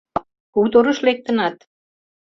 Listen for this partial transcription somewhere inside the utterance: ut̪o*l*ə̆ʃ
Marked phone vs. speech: incorrect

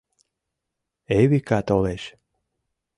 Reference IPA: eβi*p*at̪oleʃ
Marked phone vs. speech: incorrect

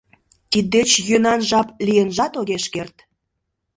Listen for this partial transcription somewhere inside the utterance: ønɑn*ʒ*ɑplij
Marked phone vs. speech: correct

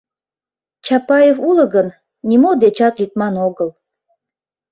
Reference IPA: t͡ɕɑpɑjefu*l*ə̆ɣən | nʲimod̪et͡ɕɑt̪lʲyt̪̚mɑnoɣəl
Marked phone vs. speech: correct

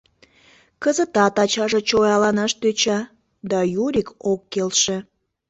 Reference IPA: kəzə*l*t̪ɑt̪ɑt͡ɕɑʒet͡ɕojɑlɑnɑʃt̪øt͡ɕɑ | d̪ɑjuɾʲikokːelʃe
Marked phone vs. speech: incorrect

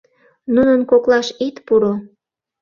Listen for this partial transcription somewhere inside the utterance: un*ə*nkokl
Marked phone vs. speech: correct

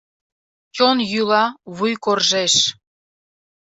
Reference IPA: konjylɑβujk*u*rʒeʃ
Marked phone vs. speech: incorrect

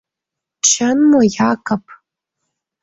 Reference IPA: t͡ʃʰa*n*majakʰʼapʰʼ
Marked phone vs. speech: correct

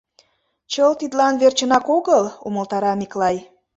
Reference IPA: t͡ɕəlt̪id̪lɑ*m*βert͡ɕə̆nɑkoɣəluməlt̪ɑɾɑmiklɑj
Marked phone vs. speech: incorrect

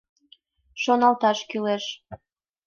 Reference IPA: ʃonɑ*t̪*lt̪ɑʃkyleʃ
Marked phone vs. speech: incorrect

